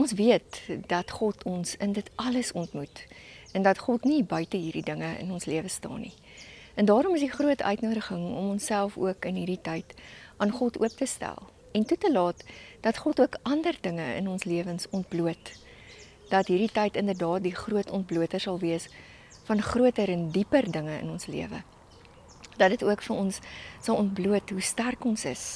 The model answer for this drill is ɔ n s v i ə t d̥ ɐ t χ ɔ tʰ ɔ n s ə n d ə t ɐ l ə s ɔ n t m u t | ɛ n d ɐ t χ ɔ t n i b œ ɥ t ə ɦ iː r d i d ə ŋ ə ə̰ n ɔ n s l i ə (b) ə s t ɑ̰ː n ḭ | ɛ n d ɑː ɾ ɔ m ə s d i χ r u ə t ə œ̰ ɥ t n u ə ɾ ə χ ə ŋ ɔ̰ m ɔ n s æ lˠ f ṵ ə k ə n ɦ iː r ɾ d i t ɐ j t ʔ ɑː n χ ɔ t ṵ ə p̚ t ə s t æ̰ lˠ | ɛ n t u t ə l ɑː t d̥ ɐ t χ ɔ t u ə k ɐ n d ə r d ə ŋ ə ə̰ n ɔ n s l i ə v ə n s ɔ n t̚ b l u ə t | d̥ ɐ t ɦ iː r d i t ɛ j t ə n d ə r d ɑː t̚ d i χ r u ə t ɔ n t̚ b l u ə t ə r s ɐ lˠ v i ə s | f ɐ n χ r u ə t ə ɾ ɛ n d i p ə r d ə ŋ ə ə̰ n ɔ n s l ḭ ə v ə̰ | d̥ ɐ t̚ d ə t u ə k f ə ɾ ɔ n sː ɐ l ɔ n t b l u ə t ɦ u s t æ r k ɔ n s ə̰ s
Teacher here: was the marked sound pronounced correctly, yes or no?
no